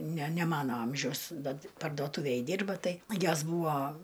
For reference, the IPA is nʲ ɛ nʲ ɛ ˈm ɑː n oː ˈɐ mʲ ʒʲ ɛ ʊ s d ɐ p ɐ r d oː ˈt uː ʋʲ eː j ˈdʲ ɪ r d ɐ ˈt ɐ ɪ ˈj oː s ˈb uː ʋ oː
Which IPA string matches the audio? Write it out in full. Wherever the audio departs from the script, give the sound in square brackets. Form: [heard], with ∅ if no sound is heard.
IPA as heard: nʲ ɛ nʲ ɛ ˈm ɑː n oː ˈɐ mʲ ʒʲ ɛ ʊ s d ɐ p ɐ r d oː ˈt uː ʋʲ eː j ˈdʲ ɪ r [b] ɐ ˈt ɐ ɪ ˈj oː s ˈb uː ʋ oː